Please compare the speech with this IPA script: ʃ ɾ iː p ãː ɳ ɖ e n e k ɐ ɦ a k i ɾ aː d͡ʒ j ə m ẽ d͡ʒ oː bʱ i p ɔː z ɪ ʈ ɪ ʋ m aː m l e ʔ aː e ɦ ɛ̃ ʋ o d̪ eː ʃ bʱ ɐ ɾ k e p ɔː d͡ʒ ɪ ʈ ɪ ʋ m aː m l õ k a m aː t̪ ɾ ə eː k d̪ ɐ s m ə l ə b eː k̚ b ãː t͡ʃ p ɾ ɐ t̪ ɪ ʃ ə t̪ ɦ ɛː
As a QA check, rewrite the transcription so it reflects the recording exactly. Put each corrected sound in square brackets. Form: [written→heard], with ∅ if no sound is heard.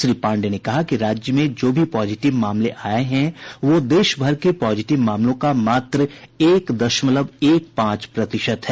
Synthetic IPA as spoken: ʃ ɾ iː p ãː ɳ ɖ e n e k ɐ ɦ a k i ɾ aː d͡ʒ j ə m ẽ d͡ʒ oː bʱ i p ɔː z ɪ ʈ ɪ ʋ m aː m l e ʔ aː e ɦ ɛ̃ ʋ o d̪ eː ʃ bʱ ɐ ɾ k e p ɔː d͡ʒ ɪ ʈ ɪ ʋ m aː m l õ k a m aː t̪ ɾ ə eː k d̪ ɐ [s→ʃ] m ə l ə b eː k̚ [b→p] ãː t͡ʃ p ɾ ɐ t̪ ɪ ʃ ə t̪ ɦ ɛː

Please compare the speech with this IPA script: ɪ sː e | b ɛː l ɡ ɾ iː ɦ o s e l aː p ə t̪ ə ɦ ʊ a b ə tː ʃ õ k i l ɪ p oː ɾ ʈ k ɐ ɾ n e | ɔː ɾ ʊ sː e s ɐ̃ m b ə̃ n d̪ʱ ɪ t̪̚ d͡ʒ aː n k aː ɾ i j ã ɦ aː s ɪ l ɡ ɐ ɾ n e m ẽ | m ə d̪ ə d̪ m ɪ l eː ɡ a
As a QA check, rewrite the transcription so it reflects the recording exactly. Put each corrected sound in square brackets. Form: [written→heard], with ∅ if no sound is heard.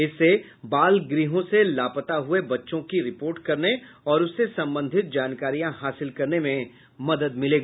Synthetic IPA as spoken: ɪ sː e | b [ɛː→aː] l ɡ ɾ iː ɦ [o→õ] s e l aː p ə t̪ [ə→a] ɦ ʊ [a→e] b [ə→ɐ] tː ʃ õ k i [l→ɾ] ɪ p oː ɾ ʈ k ɐ ɾ n e | ɔː ɾ ʊ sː e s ɐ̃ m b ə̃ n d̪ʱ ɪ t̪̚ d͡ʒ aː n k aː ɾ i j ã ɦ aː s ɪ l [ɡ→k] ɐ ɾ n e m ẽ | m [ə→ɐ] d̪ ə d̪ m ɪ l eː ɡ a

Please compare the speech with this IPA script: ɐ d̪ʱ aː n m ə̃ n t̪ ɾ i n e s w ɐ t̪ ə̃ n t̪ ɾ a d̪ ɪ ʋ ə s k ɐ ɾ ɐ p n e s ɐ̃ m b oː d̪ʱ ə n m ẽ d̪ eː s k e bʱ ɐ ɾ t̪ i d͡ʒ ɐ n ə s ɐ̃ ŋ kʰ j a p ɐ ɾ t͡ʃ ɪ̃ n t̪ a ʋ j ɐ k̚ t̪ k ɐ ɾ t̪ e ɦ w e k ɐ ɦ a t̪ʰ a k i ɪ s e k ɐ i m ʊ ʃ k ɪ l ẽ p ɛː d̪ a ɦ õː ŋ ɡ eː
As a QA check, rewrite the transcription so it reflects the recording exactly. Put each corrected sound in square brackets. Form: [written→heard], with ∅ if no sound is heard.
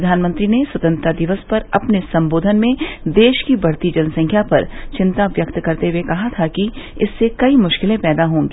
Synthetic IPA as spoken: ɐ d̪ʱ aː n m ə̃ n t̪ ɾ i n e s w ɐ t̪ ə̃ n t̪ ɾ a d̪ ɪ ʋ ə s [k→p] ɐ ɾ ɐ p n e s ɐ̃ m b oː d̪ʱ ə n m ẽ d̪ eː [s→ʃ] k [e→i] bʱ ɐ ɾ t̪ i d͡ʒ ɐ n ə s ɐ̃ ŋ kʰ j a p ɐ ɾ t͡ʃ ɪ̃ n t̪ a ʋ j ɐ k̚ t̪ k ɐ ɾ t̪ e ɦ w e k ɐ ɦ a t̪ʰ a k i ɪ [s→sː] e k ɐ i m ʊ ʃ k ɪ l ẽ p ɛː d̪ a ɦ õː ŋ ɡ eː

